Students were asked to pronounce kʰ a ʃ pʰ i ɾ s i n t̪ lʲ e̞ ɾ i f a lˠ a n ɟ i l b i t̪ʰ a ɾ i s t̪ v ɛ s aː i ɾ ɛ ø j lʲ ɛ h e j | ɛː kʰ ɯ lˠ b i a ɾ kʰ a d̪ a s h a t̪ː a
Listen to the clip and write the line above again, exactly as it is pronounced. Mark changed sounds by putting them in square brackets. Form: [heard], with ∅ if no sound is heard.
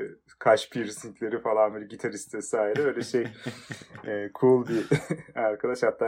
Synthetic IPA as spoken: kʰ a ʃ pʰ i ɾ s i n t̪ lʲ e̞ ɾ i f a lˠ a n [b] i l [ɟ] i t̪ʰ a ɾ i s t̪ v ɛ s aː i ɾ ɛ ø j lʲ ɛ [ʃ] e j | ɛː kʰ [u] lˠ b i a ɾ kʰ a d̪ a [ʃ] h a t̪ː a